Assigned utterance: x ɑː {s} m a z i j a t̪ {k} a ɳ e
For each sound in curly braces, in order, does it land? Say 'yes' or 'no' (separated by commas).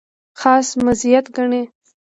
yes, no